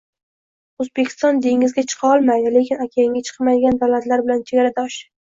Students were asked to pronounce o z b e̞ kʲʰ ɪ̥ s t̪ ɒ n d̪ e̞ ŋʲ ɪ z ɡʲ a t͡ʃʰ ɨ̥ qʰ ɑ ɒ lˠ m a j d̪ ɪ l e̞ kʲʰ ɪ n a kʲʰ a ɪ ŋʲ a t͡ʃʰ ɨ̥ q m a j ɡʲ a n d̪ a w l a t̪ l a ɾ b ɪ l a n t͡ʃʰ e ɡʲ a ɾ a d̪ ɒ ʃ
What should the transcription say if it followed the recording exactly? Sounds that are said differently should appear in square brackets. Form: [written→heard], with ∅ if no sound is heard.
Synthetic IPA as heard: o z b e̞ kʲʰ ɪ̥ s t̪ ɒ n d̪ e̞ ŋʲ ɪ z ɡʲ a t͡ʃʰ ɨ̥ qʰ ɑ ɒ lˠ m a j d̪ ɪ l e̞ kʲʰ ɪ n a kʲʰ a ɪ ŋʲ a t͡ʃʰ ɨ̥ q m a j ɡʲ a n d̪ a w l a t̪ l a ɾ b ɪ l a n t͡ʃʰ e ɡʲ a ɾ a d̪ ɒ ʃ